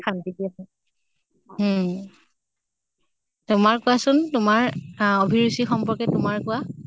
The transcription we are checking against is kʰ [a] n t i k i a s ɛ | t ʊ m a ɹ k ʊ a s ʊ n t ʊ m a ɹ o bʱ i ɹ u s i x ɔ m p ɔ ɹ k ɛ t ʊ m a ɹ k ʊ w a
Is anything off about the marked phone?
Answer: no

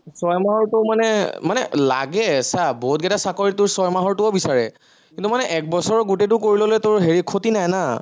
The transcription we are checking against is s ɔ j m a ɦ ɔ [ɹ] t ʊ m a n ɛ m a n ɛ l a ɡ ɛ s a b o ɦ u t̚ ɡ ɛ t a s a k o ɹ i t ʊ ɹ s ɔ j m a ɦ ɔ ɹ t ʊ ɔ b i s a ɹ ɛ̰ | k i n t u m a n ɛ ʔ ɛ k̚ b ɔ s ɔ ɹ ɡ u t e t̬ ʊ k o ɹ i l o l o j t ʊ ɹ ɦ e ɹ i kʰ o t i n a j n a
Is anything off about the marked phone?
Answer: no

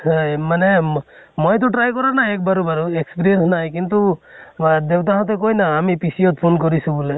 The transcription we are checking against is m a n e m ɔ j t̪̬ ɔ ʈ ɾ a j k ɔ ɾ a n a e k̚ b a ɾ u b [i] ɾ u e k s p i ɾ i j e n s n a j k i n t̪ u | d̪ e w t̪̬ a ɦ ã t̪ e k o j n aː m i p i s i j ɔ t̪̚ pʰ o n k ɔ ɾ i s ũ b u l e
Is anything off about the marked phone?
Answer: yes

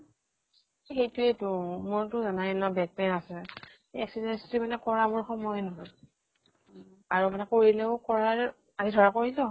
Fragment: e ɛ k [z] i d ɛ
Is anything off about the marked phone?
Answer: yes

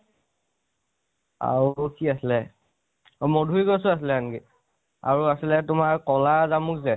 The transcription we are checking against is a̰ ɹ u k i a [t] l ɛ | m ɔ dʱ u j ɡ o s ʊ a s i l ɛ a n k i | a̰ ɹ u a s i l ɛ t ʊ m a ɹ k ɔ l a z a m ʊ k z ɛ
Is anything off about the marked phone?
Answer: yes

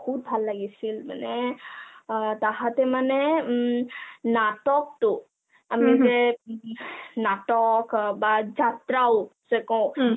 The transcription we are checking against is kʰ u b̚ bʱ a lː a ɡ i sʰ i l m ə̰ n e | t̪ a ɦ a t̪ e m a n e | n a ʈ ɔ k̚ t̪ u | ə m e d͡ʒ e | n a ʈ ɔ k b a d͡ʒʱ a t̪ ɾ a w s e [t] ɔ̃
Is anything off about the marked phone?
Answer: yes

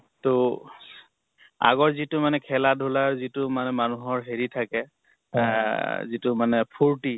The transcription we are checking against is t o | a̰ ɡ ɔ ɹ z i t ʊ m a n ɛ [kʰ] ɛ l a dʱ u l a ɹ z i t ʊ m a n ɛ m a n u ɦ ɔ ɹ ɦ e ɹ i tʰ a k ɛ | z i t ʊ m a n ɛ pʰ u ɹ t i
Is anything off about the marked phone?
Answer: no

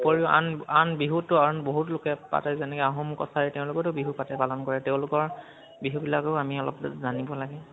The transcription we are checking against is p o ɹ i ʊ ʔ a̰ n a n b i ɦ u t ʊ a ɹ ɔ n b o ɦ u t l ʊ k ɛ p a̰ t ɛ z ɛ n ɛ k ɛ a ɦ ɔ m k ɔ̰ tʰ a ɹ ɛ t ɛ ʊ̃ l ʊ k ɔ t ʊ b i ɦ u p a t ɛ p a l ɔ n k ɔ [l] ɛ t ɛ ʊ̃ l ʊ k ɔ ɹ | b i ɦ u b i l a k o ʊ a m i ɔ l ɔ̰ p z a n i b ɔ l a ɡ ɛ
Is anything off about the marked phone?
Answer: yes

